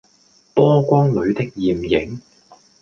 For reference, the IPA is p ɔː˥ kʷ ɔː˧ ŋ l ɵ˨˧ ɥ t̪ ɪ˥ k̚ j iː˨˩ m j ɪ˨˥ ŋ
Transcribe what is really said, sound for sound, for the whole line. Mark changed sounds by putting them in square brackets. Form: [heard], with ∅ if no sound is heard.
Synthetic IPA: p ɔː˥ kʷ [ɔː˥] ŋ l ɵ˨˧ ɥ t̪ ɪ˥ k̚ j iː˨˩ m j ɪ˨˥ ŋ